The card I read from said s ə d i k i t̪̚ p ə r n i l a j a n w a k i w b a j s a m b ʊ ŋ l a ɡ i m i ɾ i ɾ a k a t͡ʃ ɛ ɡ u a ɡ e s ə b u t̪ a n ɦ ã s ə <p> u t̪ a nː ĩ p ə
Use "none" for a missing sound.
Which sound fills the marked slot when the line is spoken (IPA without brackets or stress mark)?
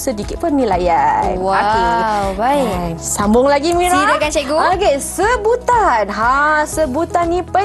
b